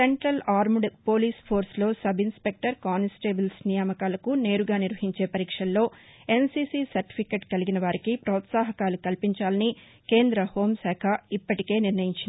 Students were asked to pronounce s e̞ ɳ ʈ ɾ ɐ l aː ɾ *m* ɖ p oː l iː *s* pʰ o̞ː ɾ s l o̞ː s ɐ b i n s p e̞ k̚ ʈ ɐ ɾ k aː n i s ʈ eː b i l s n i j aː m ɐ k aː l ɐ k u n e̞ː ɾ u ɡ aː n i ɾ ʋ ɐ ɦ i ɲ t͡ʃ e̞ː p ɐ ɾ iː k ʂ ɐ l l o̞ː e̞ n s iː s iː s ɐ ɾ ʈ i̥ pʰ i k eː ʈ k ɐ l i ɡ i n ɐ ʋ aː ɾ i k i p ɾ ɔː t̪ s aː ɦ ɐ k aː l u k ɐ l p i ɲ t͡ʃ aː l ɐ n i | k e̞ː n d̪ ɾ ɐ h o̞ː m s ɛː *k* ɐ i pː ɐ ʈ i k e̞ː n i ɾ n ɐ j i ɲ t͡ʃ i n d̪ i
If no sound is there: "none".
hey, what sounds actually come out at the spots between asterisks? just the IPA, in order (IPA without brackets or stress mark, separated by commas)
m, s, kʰ